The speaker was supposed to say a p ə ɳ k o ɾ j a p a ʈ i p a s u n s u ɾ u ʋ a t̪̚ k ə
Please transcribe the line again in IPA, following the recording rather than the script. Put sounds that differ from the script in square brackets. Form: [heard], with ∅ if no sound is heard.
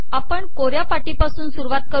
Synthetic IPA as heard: a p ə ɳ k o ɾ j a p a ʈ i p a s [uː] n s u ɾ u ʋ a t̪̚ k ə